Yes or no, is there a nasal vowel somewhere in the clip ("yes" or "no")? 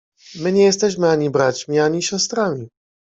no